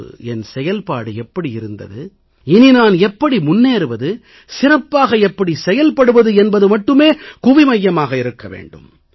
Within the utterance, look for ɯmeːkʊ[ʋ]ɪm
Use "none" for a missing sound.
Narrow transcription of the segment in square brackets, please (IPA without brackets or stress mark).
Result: ʋ